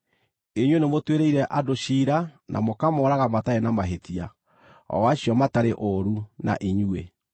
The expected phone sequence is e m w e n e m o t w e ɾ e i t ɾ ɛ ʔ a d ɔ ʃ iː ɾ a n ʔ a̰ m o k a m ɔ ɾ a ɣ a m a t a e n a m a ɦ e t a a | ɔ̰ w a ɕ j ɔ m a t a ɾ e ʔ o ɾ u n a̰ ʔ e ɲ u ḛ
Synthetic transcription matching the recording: e ɲ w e n e m o t w e ɾ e i ɾ ɛ ʔ a d o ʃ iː ɾ a n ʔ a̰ m o k a m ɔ ɾ a ɣ a m a t a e n a m a ɦ e t i a | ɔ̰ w a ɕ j ɔ m a t a ɾ e ʔ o ɾ u n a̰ ʔ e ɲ u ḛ